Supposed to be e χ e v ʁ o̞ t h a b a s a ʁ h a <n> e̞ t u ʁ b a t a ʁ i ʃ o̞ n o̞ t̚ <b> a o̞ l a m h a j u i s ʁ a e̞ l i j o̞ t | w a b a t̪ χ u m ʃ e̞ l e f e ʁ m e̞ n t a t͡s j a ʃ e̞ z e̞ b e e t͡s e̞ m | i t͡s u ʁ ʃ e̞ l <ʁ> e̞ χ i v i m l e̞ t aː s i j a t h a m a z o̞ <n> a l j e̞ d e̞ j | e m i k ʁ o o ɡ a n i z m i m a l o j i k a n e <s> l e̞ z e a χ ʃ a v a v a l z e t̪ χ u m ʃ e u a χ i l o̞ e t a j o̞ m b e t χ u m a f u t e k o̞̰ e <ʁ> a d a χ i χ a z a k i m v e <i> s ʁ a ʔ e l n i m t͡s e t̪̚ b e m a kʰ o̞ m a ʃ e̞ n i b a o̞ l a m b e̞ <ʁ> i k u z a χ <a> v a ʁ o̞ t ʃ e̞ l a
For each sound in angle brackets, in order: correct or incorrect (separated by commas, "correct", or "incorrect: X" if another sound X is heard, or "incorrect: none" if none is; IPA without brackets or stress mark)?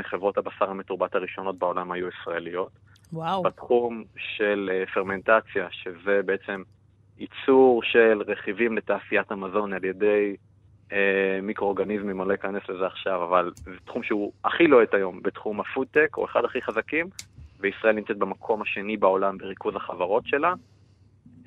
incorrect: m, correct, correct, correct, correct, incorrect: χ, correct, correct, correct